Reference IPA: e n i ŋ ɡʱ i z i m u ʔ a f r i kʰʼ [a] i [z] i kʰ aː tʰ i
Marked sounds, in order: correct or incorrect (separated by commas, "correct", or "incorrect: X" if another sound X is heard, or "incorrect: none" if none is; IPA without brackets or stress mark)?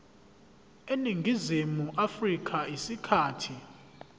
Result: correct, incorrect: s